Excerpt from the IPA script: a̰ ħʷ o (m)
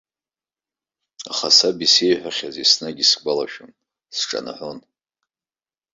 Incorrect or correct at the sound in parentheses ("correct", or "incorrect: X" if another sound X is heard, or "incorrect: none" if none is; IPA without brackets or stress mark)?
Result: incorrect: n